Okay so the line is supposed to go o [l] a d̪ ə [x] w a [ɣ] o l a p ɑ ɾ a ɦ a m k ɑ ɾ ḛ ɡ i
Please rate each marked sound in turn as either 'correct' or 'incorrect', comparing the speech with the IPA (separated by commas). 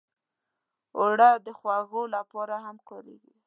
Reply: incorrect, correct, correct